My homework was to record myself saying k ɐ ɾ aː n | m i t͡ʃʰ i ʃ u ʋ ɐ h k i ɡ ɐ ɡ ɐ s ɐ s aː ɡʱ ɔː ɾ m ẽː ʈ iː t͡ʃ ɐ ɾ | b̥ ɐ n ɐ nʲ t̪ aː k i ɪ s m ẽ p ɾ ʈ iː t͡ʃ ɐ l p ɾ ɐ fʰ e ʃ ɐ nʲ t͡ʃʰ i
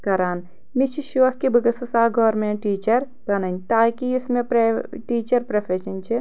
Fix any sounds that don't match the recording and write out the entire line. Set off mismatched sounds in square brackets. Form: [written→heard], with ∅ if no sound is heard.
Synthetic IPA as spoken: k ɐ ɾ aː n | m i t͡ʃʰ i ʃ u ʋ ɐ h k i [ɡ→b] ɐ ɡ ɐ s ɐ s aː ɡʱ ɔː ɾ m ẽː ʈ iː t͡ʃ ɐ ɾ | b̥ ɐ n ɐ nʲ t̪ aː k i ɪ s m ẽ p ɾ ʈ iː t͡ʃ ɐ [l→ɾ] p ɾ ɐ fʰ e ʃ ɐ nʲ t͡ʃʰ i